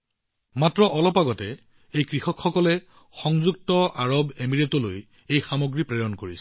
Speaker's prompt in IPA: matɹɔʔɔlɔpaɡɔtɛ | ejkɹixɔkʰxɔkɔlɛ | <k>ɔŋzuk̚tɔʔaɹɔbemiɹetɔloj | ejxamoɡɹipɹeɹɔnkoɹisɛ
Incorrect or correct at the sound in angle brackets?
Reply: incorrect: x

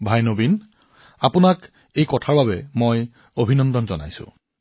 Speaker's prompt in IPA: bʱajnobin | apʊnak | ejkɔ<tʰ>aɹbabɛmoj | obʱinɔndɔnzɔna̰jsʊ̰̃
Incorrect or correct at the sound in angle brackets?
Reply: correct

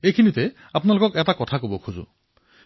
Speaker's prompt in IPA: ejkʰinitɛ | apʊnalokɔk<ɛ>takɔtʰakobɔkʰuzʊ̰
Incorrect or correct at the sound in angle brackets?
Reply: correct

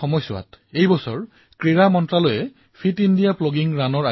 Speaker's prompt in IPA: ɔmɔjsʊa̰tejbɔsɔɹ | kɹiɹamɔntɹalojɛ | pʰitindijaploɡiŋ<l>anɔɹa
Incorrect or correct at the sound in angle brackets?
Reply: incorrect: ɹ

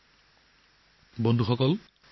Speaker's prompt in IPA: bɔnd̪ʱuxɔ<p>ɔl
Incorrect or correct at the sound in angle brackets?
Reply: incorrect: k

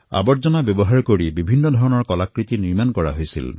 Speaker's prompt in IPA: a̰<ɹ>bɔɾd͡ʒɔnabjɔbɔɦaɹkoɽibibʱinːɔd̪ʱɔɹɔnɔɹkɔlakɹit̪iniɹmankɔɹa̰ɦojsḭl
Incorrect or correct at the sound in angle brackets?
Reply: incorrect: none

